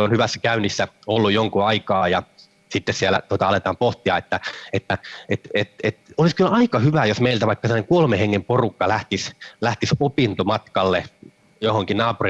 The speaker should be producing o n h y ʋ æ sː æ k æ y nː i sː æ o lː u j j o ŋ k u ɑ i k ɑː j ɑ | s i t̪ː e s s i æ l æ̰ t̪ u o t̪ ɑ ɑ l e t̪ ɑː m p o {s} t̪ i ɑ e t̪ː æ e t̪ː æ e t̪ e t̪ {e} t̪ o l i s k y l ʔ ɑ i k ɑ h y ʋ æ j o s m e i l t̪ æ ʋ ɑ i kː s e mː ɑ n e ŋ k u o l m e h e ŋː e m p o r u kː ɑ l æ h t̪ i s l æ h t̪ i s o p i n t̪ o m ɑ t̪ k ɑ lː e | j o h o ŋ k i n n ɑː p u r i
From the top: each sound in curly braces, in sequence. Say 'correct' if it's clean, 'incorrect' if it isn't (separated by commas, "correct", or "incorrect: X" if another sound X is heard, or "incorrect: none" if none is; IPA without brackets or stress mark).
incorrect: h, correct